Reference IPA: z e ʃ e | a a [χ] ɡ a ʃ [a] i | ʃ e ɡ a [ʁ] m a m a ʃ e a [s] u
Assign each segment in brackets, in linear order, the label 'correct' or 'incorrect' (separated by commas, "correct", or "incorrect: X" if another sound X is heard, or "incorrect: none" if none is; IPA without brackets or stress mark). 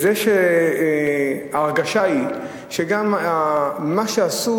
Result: incorrect: ʁ, correct, incorrect: none, correct